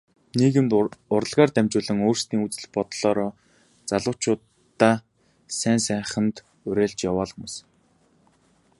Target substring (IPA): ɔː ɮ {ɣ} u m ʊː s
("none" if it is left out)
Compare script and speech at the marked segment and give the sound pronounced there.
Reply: x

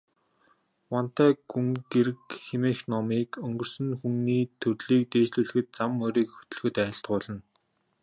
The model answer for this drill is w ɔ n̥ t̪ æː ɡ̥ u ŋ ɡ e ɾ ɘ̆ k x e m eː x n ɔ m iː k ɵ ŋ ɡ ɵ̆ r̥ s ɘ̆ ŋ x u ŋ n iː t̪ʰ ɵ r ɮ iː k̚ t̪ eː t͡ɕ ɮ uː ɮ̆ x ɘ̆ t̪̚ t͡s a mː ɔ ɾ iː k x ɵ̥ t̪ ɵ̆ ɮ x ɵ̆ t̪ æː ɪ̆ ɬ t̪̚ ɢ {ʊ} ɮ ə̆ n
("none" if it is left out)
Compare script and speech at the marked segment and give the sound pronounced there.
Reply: ʊː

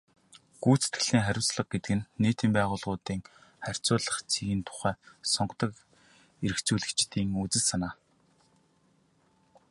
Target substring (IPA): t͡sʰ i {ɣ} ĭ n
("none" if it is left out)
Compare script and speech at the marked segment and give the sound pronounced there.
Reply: ɣ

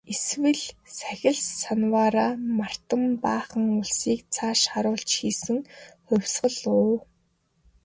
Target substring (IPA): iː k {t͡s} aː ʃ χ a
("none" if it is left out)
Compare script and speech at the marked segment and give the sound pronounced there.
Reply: t͡sʰ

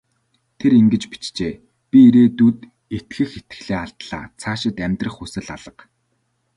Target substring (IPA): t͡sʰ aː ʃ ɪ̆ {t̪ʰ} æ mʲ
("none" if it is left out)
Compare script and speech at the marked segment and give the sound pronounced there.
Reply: t̪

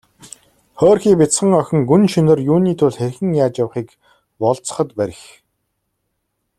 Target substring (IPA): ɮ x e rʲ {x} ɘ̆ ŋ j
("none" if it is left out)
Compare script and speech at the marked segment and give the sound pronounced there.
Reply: x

